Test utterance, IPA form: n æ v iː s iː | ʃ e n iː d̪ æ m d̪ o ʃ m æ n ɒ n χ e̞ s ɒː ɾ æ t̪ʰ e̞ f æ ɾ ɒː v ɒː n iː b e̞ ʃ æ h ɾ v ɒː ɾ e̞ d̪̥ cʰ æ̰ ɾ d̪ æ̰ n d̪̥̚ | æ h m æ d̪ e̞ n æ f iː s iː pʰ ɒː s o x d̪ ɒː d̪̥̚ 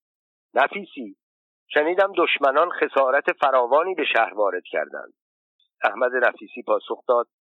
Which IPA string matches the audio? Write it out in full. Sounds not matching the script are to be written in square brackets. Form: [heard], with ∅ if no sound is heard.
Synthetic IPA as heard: n æ [f] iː s iː | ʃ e n iː d̪ æ m d̪ o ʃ m æ n ɒ n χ e̞ s ɒː ɾ æ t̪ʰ e̞ f æ ɾ ɒː v ɒː n iː b e̞ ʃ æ h ɾ v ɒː ɾ e̞ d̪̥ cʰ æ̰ ɾ d̪ æ̰ n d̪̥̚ | æ h m æ d̪ e̞ n æ f iː s iː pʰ ɒː s o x d̪ ɒː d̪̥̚